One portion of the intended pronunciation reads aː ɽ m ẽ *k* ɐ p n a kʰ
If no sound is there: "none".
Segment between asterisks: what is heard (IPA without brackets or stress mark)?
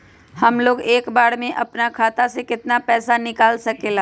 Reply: ʔ